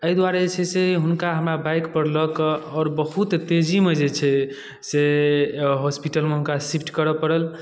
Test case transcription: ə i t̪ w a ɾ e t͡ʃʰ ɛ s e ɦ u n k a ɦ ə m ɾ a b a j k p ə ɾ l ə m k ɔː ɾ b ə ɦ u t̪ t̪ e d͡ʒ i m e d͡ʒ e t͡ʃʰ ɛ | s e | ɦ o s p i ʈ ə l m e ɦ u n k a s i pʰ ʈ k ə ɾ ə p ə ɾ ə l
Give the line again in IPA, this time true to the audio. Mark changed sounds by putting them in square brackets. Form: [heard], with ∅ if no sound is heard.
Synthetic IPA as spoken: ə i [d̪] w a ɾ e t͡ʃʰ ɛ s e ɦ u n k a ɦ ə m ɾ a b a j k p ə ɾ l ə [∅] k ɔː ɾ b ə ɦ u t̪ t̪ e d͡ʒ i m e d͡ʒ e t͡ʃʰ ɛ | s e | ɦ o s p i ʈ ə l m e ɦ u n k a s i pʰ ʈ k ə ɾ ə p ə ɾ ə l